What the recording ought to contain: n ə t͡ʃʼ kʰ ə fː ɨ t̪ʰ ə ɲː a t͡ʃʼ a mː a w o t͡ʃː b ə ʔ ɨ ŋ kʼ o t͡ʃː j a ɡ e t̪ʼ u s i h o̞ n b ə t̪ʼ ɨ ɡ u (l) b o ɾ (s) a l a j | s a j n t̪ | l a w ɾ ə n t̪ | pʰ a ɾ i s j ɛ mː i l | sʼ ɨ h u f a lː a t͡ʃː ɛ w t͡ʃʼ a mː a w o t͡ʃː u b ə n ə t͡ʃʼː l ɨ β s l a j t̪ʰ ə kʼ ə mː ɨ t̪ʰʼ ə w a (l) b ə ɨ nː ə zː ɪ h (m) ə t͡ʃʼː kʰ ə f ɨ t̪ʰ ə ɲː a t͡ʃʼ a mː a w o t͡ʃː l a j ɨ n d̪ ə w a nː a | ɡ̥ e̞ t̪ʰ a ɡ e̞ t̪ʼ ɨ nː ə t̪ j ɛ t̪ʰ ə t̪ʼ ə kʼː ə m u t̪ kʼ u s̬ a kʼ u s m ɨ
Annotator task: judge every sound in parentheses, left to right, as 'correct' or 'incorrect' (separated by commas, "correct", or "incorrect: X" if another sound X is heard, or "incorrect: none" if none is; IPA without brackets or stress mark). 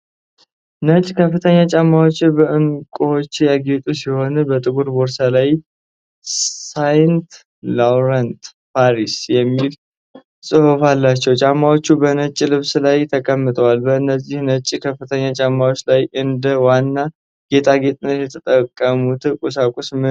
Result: incorrect: ɾ, correct, correct, incorrect: n